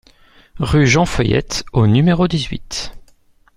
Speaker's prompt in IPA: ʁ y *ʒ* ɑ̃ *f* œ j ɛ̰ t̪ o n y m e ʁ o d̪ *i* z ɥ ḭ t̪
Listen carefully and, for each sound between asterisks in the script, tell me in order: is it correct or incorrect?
correct, correct, correct

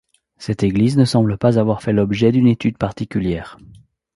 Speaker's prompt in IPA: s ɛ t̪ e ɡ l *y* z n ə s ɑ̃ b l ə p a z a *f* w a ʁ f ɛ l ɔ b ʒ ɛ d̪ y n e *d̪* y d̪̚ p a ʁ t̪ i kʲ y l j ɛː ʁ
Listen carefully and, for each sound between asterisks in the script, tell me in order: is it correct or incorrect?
incorrect: i, incorrect: v, incorrect: t̪

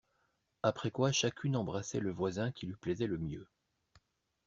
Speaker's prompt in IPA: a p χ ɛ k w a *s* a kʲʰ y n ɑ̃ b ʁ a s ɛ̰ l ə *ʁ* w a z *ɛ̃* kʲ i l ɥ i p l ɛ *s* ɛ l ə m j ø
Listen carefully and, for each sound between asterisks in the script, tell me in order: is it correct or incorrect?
incorrect: ʃ, incorrect: v, correct, incorrect: z

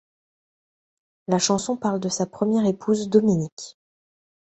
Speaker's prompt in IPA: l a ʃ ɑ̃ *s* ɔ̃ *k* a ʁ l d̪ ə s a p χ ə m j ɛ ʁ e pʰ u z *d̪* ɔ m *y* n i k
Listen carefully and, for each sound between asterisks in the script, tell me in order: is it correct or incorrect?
correct, incorrect: p, correct, incorrect: i

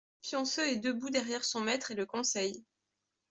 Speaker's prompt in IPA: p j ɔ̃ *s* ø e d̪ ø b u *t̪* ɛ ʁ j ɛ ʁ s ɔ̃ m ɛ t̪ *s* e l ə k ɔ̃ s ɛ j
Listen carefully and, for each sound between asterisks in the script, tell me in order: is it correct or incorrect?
correct, incorrect: d̪, incorrect: χ

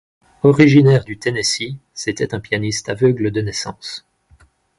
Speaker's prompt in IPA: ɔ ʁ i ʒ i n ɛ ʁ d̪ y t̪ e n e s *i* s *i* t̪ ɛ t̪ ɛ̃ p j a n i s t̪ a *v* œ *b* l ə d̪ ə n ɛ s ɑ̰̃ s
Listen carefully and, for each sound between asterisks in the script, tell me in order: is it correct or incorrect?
correct, incorrect: e, correct, incorrect: ɡ

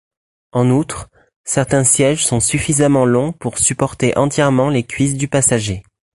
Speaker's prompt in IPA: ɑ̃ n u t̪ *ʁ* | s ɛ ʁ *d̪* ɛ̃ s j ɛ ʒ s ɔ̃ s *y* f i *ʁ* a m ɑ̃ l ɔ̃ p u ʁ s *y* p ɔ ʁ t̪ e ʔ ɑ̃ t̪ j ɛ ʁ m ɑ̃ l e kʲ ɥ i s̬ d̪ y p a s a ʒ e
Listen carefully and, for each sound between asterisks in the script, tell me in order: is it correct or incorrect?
incorrect: χ, incorrect: t̪, correct, incorrect: z, correct

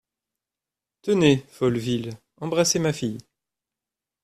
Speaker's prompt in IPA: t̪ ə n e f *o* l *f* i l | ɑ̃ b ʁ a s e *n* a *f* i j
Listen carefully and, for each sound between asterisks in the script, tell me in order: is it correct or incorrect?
incorrect: ɔ, incorrect: v, incorrect: m, correct

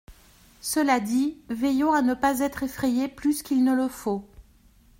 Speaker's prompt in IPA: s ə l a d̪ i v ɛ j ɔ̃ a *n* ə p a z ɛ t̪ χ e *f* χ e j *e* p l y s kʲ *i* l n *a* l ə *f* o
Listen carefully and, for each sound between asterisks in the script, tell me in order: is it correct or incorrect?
correct, correct, correct, correct, incorrect: ə, correct

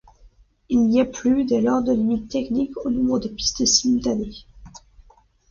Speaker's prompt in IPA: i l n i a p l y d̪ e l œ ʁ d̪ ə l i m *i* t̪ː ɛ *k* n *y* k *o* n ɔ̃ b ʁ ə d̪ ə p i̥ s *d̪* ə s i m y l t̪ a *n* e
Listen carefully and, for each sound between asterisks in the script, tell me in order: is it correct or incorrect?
correct, correct, incorrect: i, correct, incorrect: t̪, correct

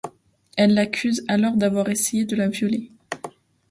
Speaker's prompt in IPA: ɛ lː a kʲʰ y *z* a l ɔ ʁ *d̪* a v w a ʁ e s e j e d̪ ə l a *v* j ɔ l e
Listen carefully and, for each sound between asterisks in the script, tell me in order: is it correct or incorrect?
correct, correct, correct

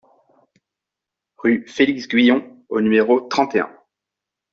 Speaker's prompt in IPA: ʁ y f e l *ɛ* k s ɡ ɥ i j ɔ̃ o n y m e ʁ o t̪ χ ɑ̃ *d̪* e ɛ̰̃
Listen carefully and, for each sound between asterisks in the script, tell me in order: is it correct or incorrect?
incorrect: i, incorrect: t̪

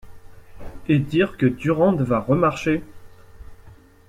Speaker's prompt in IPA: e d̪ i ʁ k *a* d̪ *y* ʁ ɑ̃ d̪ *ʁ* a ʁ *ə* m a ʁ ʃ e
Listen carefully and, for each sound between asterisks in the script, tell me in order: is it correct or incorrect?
incorrect: ə, correct, incorrect: v, correct

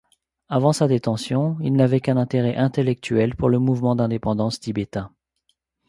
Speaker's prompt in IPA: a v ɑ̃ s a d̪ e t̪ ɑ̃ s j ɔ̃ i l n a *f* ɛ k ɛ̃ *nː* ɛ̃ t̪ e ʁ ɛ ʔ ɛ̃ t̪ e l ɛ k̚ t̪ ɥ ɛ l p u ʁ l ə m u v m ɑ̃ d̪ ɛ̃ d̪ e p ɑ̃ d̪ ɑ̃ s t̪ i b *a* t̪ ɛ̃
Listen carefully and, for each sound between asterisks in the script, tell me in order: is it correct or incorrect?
incorrect: v, incorrect: n, incorrect: e

